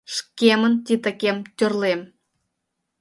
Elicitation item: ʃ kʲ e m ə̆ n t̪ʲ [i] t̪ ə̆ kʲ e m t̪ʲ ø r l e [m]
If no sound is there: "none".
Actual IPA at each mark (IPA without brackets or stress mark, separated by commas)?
i, m